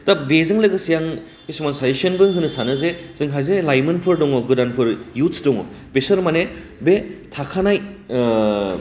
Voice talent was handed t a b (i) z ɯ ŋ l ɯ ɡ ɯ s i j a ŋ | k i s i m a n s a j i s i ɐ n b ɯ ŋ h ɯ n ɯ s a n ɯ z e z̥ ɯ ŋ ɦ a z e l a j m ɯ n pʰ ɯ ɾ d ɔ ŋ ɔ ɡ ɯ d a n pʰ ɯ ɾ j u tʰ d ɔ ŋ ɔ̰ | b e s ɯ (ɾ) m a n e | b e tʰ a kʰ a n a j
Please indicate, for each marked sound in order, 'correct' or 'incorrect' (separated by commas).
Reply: incorrect, correct